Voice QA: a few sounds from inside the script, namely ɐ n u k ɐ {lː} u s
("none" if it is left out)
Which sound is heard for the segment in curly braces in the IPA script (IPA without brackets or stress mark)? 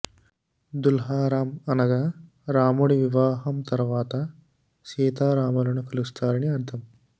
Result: l